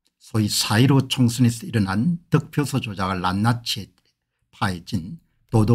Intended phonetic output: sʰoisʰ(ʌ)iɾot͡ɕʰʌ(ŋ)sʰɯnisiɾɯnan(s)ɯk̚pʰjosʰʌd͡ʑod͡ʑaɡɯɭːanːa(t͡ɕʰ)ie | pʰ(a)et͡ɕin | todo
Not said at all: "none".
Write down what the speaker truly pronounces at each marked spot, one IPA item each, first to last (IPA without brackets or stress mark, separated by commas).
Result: a, ŋ, t, t͡ɕʰ, a